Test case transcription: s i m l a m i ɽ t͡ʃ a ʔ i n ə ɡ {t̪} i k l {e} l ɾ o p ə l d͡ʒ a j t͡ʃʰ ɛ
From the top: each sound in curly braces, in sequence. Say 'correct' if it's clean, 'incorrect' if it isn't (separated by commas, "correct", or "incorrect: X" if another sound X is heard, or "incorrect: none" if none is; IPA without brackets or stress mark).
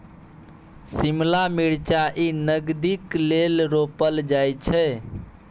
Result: incorrect: d̪, correct